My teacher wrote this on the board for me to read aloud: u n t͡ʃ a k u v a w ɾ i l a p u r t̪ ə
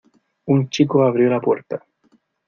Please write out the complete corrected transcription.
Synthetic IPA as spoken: u n t͡ʃ i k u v a v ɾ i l a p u r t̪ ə